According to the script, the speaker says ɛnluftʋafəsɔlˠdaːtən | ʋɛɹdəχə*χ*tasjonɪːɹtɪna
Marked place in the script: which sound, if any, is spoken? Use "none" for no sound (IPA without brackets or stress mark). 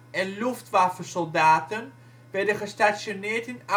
s